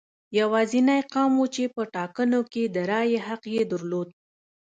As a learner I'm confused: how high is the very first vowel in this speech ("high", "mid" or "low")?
low